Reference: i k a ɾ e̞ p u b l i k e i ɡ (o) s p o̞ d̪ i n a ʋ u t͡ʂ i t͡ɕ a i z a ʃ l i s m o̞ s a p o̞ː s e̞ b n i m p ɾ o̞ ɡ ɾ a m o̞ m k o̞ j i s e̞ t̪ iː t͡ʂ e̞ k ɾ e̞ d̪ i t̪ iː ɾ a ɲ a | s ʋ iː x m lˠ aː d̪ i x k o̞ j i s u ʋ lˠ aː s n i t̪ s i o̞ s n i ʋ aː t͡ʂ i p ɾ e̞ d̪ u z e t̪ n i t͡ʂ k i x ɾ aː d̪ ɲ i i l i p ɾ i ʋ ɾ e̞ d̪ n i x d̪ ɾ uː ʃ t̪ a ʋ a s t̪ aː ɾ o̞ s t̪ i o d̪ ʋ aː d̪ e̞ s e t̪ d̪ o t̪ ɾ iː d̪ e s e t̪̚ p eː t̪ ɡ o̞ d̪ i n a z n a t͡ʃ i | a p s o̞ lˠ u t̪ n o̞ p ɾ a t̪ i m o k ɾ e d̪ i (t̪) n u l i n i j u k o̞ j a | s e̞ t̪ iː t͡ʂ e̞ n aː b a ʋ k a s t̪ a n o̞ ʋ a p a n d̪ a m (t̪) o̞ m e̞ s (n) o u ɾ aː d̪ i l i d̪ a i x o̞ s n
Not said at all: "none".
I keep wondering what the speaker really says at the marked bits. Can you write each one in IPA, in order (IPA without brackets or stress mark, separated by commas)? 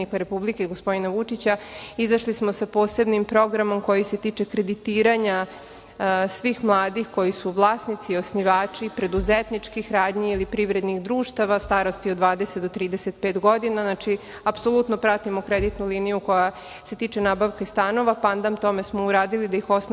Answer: o, t̪, t̪, m